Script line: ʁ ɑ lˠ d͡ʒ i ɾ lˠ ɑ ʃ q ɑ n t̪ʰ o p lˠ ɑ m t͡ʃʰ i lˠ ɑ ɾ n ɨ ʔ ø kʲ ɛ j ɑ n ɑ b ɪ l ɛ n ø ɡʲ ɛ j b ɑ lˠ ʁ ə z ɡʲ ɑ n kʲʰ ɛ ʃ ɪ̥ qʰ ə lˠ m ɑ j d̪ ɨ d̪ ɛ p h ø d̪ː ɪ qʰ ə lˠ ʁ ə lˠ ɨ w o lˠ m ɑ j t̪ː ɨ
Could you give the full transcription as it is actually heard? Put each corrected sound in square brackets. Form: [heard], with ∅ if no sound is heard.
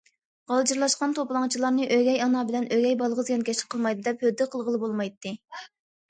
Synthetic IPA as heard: ʁ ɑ lˠ d͡ʒ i ɾ lˠ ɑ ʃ q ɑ n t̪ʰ o p lˠ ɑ [ŋ] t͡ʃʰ i lˠ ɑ ɾ n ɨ ʔ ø [ɡʲ] ɛ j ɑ n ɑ b ɪ l ɛ n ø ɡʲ ɛ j b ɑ lˠ ʁ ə z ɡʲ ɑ n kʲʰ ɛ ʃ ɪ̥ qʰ ə lˠ m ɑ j d̪ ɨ d̪ ɛ p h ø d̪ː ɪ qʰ ə lˠ ʁ ə lˠ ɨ [b] o lˠ m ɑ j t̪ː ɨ